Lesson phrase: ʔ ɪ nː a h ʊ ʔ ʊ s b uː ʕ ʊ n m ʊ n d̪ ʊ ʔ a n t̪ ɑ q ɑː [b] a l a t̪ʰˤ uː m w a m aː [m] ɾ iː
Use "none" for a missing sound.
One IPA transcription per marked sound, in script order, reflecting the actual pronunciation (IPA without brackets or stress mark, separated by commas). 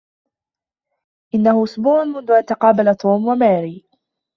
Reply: b, none